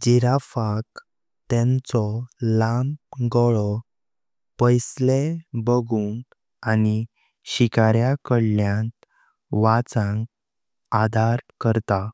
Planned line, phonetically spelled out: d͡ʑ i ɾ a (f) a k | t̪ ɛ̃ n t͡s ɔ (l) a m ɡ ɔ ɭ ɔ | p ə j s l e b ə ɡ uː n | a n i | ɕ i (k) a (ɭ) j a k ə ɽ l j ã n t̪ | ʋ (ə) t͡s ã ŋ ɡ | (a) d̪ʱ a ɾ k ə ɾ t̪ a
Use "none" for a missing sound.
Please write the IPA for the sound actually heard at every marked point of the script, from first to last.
f, l, k, ɾ, a, a

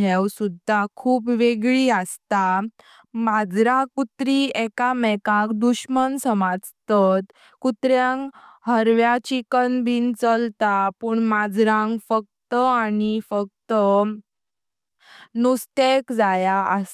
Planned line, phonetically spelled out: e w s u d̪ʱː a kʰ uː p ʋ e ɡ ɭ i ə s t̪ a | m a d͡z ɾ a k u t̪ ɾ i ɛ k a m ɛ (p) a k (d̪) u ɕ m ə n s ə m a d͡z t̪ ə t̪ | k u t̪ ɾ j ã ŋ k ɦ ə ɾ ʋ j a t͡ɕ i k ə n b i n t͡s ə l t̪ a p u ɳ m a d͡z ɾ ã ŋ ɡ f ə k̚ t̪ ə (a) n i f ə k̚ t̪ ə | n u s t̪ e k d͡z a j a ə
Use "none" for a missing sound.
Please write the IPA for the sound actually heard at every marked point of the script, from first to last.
k, d̪, a

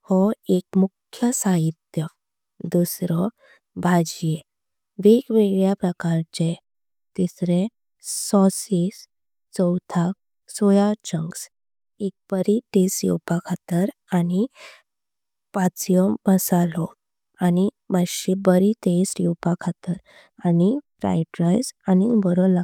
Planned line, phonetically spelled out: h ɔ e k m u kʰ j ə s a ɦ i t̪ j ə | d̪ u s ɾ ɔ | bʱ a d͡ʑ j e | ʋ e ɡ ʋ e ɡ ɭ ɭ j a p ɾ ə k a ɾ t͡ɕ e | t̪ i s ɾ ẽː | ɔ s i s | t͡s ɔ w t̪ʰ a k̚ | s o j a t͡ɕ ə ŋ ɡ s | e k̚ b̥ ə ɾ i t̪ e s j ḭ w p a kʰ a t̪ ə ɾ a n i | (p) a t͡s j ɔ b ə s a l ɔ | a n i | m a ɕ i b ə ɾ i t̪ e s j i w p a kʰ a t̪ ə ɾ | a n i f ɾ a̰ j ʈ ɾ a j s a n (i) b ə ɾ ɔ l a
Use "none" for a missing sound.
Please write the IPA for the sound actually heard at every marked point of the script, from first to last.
p, i

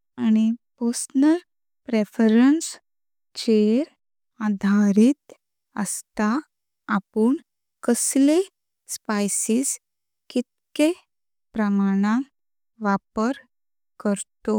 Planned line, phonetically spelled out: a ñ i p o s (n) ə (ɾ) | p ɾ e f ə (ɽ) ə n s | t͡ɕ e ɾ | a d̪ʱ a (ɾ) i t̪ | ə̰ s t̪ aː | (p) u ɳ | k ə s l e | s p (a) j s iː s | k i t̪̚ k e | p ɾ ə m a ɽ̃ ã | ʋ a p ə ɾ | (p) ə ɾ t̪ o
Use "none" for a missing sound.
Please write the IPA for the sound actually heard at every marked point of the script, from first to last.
n, ɾ, ɾ, ɾ, p, a, k

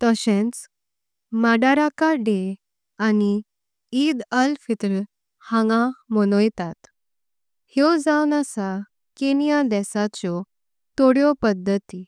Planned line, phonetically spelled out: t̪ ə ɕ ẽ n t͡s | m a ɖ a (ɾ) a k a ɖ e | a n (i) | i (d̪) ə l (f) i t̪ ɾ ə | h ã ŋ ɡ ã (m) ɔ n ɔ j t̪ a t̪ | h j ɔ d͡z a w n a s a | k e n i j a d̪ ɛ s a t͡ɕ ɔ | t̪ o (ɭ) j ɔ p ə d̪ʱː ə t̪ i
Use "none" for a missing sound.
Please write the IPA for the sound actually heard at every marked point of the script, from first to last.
ɾ, i, d̪, f, m, ɽ

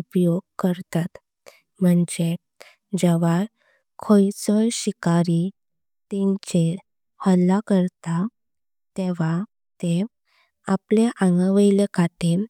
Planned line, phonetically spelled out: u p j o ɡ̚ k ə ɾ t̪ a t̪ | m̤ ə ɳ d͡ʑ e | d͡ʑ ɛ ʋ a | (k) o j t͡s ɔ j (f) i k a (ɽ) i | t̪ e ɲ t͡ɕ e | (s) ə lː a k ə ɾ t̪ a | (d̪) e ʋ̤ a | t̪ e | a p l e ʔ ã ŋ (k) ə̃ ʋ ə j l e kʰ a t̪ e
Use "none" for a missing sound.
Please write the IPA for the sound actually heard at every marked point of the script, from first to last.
kʰ, ɕ, ɾ, h, t̪, ɡ

